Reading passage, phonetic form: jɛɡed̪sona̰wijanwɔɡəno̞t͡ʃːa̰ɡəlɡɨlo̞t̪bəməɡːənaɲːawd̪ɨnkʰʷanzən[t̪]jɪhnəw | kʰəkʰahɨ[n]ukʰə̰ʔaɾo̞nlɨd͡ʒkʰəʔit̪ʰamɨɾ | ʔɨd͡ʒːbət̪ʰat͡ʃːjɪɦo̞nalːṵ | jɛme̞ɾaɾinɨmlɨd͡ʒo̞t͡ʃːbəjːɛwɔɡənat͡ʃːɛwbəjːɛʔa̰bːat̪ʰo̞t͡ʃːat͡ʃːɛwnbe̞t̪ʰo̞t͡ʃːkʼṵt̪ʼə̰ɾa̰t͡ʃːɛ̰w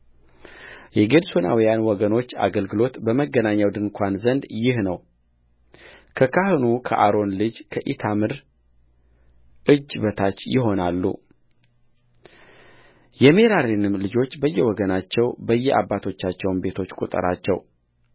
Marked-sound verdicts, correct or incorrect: incorrect: d̪, correct

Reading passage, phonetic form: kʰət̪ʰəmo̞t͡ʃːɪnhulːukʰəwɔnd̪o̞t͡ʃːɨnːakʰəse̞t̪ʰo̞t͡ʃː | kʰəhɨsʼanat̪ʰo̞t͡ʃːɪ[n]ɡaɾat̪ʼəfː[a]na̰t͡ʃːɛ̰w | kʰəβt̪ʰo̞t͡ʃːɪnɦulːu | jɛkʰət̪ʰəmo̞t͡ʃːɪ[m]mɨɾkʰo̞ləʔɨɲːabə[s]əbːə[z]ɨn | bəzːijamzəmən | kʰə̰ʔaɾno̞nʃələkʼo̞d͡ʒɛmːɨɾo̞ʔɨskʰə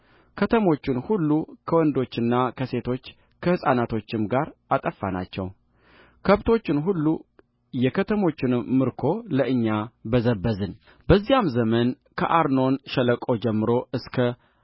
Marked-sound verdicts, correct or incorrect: incorrect: m, correct, incorrect: n, incorrect: z, correct

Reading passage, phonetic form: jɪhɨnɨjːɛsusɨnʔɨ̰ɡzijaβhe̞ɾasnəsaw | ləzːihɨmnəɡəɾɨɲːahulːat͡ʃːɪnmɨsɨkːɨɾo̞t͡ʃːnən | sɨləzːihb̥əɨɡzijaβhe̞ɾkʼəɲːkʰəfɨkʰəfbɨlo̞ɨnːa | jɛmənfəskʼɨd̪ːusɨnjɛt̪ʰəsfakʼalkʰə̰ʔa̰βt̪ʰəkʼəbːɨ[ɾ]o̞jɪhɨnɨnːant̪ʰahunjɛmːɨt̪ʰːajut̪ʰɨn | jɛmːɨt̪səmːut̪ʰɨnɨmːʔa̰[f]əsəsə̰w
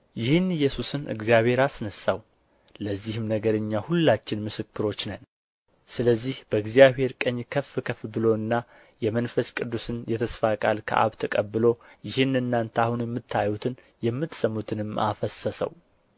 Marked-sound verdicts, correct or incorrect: incorrect: l, correct

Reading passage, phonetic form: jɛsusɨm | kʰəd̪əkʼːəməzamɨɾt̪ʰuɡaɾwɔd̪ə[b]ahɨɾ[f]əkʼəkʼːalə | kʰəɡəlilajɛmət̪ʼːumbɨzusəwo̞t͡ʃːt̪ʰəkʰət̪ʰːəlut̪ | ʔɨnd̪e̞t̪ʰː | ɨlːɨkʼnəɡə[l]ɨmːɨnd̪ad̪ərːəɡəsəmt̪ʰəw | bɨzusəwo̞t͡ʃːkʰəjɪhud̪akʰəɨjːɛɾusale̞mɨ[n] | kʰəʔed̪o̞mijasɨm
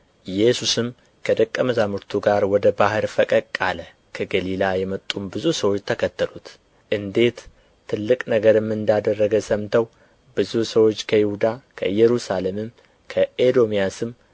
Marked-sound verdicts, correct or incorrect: correct, correct, incorrect: ɾ, incorrect: m

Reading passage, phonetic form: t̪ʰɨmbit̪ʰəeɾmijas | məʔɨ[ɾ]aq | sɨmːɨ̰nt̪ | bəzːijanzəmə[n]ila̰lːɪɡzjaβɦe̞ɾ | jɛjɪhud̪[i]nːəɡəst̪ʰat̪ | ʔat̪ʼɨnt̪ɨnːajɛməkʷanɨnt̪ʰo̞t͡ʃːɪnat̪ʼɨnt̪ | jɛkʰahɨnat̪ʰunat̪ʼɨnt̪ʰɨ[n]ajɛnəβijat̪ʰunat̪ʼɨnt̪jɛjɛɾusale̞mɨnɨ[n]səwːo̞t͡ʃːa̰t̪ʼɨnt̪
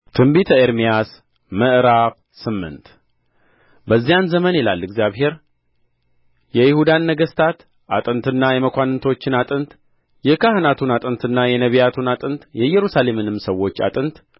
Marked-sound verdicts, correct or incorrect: correct, correct, incorrect: a, incorrect: nː, incorrect: m

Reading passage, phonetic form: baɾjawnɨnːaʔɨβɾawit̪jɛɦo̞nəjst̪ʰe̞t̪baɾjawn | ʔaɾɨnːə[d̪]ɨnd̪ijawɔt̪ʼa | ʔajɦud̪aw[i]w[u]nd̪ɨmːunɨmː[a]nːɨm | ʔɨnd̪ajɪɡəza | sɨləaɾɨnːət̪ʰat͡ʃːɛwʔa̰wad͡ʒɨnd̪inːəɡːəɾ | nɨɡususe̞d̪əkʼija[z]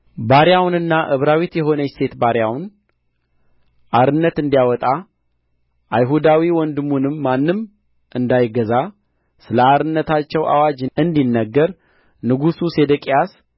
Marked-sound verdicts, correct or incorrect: incorrect: t̪, correct, incorrect: ɔ, correct, incorrect: s

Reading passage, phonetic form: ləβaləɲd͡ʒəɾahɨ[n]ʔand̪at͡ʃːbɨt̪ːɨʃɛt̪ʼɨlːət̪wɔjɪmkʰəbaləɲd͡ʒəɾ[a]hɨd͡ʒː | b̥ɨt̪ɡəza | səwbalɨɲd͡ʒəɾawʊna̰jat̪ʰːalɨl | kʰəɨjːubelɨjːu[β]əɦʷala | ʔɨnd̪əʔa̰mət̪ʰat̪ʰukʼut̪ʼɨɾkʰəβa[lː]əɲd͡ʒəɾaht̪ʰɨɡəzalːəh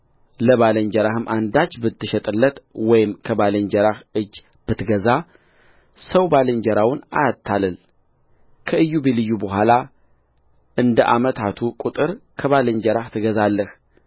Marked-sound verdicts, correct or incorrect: incorrect: m, correct, incorrect: b, incorrect: l

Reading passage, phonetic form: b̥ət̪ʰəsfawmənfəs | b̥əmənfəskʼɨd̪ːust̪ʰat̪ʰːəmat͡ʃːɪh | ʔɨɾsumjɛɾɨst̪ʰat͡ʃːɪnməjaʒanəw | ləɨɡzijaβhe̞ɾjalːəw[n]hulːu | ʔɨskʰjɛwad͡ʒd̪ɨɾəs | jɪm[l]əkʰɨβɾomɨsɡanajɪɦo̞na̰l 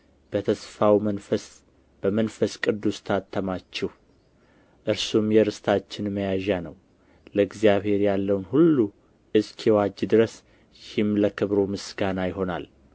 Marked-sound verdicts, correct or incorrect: correct, correct

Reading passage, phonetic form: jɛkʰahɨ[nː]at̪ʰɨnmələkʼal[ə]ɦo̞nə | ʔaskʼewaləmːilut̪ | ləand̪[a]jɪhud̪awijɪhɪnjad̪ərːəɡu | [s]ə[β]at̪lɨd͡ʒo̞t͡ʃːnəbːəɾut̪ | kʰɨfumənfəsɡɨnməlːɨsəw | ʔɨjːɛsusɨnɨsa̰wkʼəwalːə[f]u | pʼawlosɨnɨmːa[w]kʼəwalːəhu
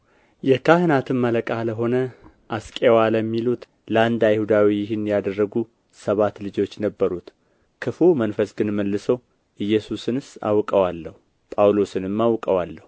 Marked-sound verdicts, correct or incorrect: incorrect: n, correct, correct, correct, correct, incorrect: h, correct

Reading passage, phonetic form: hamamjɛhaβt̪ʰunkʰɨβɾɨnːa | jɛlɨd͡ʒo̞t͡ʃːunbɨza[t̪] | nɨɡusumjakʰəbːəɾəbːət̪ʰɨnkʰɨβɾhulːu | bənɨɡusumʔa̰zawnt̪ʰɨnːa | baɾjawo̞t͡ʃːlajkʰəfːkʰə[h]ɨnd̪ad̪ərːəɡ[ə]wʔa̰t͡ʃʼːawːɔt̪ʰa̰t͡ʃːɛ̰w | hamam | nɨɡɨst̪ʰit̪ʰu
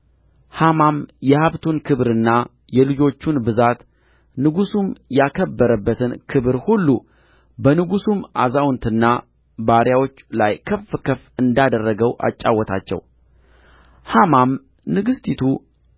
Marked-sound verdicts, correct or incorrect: correct, incorrect: f, correct

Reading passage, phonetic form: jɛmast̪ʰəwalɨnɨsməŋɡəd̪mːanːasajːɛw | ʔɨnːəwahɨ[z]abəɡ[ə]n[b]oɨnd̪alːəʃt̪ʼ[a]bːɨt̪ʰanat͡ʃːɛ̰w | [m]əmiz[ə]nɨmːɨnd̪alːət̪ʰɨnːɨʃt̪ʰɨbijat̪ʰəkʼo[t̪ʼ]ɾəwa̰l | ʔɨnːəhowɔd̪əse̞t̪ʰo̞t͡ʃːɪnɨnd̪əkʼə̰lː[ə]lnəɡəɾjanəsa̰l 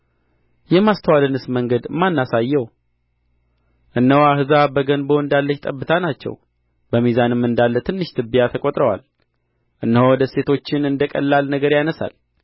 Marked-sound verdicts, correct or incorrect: correct, correct, correct, incorrect: ə, incorrect: b, incorrect: a, correct, incorrect: a

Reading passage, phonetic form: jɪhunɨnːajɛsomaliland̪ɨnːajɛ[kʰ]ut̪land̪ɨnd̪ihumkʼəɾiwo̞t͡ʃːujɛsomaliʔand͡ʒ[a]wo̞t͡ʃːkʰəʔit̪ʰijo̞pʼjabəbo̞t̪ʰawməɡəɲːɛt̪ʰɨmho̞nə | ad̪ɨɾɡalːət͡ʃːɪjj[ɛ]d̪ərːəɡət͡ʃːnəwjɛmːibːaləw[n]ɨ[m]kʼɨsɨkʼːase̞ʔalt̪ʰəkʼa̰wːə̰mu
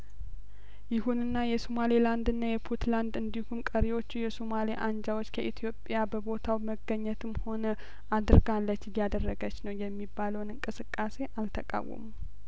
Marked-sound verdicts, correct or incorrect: incorrect: pʰ, correct, incorrect: a, correct, incorrect: ŋ

